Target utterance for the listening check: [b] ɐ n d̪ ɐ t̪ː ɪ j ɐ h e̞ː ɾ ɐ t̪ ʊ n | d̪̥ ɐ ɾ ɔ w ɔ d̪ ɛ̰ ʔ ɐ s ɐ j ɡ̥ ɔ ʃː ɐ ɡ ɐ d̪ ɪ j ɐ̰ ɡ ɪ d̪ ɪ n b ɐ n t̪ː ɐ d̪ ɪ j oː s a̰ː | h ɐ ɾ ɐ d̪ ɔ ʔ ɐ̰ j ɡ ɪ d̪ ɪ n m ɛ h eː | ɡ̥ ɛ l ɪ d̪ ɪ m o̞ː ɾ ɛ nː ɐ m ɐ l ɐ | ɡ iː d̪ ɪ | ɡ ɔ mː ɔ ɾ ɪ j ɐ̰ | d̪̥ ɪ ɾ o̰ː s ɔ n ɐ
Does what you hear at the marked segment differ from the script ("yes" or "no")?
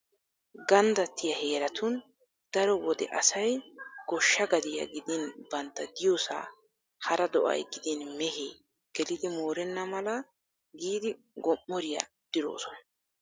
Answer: yes